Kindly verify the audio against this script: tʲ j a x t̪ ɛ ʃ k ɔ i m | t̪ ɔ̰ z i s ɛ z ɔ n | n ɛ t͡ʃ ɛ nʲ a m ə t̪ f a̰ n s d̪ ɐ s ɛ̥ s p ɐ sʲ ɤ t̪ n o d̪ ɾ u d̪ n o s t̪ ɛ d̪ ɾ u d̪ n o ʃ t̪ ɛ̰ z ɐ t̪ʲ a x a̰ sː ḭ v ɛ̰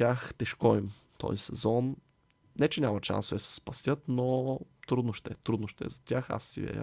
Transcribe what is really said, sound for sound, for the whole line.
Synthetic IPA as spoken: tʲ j a x t̪ ɛ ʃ k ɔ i m | t̪ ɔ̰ z i s ɛ z ɔ n | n ɛ t͡ʃ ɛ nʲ a m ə t̪ ʃ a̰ n s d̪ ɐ s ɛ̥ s p ɐ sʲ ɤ t̪ n o t̪ ɾ u d̪ n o ʃ t̪ ɛ t̪ ɾ u d̪ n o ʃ t̪ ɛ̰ z ɐ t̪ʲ a x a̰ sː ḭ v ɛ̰